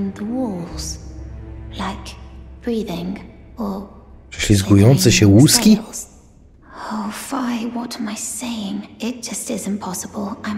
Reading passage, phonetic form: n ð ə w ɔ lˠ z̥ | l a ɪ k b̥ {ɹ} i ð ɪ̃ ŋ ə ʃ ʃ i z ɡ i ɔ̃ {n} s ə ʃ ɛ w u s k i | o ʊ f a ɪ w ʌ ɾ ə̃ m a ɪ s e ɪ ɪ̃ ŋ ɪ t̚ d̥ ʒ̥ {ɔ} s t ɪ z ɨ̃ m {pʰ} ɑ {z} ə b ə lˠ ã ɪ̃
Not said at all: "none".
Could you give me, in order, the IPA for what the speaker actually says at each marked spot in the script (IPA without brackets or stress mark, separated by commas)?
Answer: ɹ, n, ʌ, pʰ, s